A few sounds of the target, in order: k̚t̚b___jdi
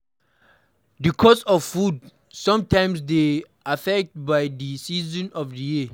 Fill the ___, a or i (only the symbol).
a